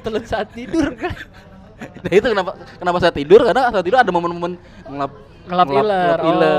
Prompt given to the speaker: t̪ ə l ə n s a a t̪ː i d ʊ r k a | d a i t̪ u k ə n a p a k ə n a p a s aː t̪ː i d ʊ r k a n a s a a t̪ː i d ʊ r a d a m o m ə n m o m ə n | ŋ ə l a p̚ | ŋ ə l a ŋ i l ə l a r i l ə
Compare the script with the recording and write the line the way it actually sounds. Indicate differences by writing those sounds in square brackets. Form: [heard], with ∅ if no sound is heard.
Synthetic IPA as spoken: t̪ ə l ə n s a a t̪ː i d ʊ r k a | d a i t̪ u k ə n a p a k ə n a p a s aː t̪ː i d ʊ r k a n a s a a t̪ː i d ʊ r a d a m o m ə n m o m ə n | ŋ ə l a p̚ | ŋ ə l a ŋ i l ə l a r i l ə